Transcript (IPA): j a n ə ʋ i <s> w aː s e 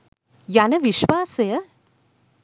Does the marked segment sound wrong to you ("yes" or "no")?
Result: yes